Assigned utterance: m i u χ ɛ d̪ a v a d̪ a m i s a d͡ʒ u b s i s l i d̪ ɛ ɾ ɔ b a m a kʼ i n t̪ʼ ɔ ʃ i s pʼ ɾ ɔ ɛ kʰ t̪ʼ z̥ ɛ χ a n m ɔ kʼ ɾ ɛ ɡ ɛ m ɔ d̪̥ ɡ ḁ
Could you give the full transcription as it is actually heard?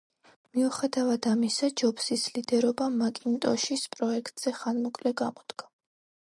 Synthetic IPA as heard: m i u χ ɛ d̪ a v a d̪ a m i s a d͡ʒ ɔ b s i s l i d̪ ɛ ɾ ɔ b a m a kʼ i n t̪ʼ ɔ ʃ i s pʼ ɾ ɔ ɛ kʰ t̪ʼ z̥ ɛ χ a n m ɔ kʼ l ɛ ɡ a m ɔ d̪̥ ɡ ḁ